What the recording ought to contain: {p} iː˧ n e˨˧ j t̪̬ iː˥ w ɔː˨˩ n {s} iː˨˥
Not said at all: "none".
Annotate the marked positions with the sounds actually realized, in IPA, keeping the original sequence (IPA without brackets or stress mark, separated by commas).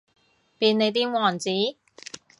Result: p, t͡s